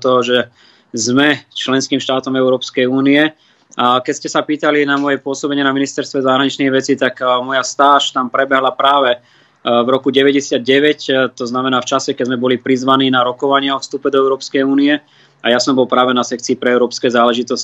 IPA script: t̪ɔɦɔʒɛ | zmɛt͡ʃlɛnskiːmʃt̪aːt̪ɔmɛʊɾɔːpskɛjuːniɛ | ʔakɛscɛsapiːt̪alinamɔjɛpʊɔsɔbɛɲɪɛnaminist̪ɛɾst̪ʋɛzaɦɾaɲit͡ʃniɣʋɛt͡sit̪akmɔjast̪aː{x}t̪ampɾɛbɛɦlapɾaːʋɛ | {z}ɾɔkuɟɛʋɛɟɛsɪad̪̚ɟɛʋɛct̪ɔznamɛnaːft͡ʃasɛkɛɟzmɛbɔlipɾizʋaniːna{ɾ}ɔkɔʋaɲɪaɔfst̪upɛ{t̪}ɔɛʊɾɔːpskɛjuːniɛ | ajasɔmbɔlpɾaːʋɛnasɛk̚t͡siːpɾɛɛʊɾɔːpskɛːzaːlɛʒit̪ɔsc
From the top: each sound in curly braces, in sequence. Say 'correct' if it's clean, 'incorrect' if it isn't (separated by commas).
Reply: incorrect, incorrect, correct, incorrect